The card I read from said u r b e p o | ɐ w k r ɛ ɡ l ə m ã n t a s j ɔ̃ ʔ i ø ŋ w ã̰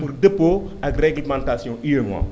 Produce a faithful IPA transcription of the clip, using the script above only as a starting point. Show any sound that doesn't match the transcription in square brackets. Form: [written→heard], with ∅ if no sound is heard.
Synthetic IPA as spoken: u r [b→d] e p o | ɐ [w→∅] k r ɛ ɡ l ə m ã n t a s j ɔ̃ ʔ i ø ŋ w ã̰